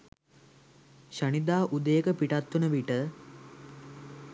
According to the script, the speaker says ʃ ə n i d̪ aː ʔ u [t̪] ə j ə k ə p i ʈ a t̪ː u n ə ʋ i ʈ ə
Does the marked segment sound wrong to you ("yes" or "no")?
yes